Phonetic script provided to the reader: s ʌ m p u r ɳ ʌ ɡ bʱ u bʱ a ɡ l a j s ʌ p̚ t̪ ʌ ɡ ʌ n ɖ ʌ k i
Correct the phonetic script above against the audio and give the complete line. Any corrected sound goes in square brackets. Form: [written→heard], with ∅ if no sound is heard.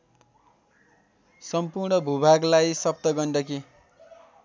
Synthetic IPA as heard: s ʌ m p u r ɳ ʌ [ɡ→∅] bʱ u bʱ a ɡ l a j s ʌ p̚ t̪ ʌ ɡ ʌ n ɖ ʌ k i